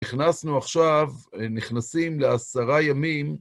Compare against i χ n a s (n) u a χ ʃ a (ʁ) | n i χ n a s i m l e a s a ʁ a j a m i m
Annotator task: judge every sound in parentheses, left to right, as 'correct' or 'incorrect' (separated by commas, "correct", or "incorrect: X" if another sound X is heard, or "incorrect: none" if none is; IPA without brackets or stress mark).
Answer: correct, incorrect: v